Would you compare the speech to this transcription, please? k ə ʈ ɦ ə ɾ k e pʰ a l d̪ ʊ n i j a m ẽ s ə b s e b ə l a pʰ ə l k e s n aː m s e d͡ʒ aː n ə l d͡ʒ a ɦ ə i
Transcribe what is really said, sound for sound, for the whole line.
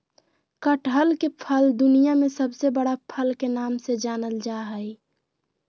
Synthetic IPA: k ə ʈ ɦ ə l k e pʰ ə l d̪ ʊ n i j a m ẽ s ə b s e b ə ɽ a pʰ ə l k e n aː m s e d͡ʒ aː n ə l d͡ʒ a ɦ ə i